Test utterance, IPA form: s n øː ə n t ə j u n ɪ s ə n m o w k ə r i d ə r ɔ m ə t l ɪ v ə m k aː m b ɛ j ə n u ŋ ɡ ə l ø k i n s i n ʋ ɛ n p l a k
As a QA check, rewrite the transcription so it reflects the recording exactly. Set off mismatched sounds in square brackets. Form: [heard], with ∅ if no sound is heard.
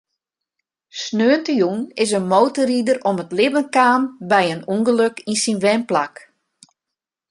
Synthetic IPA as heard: s n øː ə n t ə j u n ɪ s ə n m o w [t] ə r i d ə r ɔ m ə t l ɪ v ə [n] k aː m b ɛ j ə n u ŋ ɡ ə l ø k i n s i n ʋ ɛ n p l a k